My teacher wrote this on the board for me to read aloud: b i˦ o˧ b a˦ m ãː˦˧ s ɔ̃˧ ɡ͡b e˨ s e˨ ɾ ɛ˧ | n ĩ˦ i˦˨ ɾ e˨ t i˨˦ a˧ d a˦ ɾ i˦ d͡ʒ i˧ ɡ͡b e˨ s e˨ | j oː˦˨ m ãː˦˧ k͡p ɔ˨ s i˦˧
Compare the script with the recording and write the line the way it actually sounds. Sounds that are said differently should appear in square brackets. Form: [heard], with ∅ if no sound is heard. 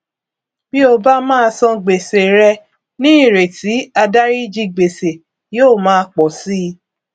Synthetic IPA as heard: b i˦ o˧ b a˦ m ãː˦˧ s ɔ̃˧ ɡ͡b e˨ s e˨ ɾ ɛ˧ | n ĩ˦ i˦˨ ɾ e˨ t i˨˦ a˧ d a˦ ɾ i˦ d͡ʒ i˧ ɡ͡b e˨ s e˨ | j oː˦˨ m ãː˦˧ k͡p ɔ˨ s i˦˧